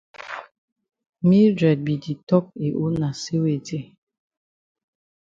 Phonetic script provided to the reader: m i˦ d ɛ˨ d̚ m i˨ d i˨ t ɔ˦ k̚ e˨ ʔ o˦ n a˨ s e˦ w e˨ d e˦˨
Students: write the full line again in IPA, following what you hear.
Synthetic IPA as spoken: m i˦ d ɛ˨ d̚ b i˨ d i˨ t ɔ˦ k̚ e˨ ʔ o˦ n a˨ s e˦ w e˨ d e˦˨